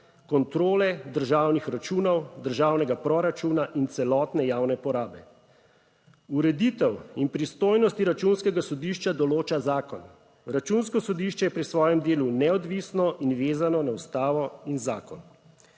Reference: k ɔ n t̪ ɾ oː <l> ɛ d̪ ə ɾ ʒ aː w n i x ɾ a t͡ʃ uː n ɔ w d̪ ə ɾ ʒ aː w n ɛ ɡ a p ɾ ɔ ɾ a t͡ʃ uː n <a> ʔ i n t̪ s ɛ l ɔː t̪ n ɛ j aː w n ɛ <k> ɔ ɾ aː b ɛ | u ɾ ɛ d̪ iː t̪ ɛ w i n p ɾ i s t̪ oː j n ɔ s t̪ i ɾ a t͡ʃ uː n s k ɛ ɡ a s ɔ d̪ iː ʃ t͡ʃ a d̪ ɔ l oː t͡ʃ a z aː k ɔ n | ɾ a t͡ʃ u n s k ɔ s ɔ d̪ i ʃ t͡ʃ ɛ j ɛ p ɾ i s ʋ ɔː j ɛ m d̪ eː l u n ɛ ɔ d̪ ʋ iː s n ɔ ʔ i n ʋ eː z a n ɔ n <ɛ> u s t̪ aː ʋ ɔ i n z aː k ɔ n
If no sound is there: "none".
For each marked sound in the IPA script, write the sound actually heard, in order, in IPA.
l, a, p, a

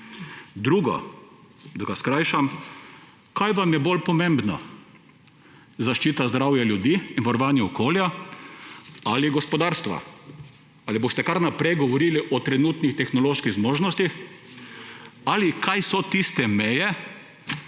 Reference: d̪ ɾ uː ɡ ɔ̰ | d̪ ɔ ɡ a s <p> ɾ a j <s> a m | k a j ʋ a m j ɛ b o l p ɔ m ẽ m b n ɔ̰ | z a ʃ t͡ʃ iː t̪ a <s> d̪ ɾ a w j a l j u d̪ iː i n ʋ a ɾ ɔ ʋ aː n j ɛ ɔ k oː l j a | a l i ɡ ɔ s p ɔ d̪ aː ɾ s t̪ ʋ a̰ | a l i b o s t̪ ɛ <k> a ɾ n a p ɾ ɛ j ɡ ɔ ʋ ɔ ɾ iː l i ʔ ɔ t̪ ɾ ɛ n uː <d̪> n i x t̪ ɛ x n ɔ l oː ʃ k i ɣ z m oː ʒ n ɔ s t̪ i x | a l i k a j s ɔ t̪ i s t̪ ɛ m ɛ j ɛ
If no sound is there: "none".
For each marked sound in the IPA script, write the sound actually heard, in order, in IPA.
k, ʃ, z, k, t̪

